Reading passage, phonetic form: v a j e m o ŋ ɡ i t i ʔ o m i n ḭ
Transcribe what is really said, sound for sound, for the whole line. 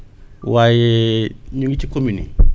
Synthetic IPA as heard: w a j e ɲ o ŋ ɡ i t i k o m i n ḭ